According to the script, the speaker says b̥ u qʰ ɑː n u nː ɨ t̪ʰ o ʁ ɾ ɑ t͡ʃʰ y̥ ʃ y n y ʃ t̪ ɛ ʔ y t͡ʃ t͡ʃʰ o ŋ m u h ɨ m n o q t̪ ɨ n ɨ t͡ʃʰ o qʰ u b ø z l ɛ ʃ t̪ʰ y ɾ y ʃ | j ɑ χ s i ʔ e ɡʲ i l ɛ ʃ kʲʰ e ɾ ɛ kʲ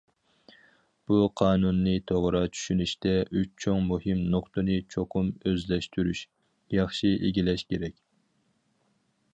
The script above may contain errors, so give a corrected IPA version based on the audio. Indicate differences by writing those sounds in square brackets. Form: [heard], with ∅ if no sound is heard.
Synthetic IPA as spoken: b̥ u qʰ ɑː n u nː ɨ t̪ʰ o ʁ ɾ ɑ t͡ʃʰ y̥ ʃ y n y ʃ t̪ ɛ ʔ y t͡ʃ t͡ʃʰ o ŋ m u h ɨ m n o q t̪ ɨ n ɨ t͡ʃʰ o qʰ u [m] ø z l ɛ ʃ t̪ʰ y ɾ y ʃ | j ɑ χ [ʃ] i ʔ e ɡʲ i l ɛ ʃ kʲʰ e ɾ ɛ kʲ